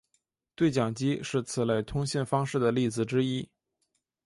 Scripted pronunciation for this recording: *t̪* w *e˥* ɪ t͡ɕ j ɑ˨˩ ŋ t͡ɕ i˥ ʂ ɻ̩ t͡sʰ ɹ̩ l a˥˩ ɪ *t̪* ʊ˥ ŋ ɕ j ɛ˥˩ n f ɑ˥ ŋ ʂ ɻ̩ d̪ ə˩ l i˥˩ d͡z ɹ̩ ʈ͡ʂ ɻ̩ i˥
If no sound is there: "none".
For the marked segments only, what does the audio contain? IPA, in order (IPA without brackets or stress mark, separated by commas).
t̪, e˥˩, t̪ʰ